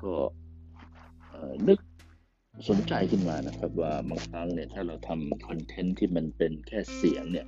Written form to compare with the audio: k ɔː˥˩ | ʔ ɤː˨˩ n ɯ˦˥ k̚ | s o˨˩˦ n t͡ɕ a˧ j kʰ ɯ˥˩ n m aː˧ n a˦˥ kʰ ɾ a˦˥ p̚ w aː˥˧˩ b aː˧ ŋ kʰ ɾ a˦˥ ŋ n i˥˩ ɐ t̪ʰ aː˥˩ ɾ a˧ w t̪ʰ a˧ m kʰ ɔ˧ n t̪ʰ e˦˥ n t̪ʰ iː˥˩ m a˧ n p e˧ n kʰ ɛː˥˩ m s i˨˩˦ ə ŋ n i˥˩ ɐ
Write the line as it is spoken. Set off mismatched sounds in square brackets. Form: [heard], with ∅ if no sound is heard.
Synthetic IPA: k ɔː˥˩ | ʔ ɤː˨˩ n ɯ˦˥ k̚ | s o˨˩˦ n t͡ɕ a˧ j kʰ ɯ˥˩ n m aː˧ n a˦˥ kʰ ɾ a˦˥ p̚ w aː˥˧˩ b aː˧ ŋ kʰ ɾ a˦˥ ŋ n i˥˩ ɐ t̪ʰ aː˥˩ ɾ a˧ w t̪ʰ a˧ m kʰ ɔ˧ n t̪ʰ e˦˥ n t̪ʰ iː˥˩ m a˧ n p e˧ n kʰ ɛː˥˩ [∅] s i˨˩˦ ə ŋ n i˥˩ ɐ